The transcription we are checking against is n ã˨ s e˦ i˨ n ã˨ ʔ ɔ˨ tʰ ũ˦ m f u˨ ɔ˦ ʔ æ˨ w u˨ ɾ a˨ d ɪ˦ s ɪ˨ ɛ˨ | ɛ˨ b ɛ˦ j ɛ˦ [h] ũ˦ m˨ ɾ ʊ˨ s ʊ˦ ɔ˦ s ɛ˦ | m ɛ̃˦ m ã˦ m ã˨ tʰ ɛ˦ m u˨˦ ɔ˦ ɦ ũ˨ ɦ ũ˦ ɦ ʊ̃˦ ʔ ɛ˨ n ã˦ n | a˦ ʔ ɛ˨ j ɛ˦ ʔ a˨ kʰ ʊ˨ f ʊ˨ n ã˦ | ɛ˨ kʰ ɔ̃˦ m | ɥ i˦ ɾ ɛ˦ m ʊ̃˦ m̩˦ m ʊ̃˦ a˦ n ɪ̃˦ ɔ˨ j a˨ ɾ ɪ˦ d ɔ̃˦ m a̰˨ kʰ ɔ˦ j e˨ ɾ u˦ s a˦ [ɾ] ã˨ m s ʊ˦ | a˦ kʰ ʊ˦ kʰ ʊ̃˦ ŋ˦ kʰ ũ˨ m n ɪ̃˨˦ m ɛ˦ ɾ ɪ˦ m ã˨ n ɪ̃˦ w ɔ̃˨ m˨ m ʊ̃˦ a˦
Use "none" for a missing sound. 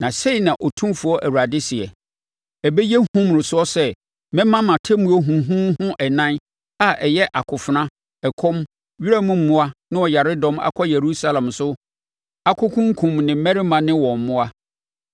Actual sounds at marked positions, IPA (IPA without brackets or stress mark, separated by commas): h, l